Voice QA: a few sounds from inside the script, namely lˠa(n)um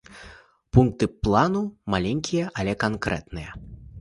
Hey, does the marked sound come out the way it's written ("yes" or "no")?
yes